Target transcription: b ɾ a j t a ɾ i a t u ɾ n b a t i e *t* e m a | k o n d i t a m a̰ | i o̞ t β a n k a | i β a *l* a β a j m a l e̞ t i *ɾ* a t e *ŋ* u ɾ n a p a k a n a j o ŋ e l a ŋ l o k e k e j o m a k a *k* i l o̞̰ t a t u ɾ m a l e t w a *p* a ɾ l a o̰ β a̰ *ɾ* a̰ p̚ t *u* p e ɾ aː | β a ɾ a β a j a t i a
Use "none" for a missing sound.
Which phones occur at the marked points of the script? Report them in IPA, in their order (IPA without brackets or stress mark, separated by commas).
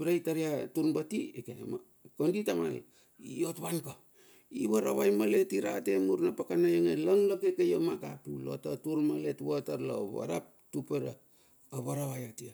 k, ɾ, ɾ, m, p, t, ɾ, u